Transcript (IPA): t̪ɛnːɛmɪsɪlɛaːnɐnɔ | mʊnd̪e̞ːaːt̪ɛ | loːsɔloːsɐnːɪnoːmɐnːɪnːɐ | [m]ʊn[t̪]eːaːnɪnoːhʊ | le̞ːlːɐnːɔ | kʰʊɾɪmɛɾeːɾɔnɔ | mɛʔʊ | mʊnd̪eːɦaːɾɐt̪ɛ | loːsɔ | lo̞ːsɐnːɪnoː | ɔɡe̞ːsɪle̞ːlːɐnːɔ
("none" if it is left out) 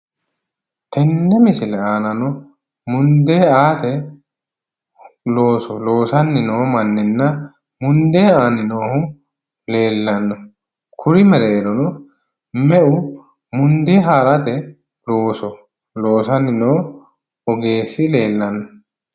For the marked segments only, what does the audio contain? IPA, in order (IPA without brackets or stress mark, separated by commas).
m, d̪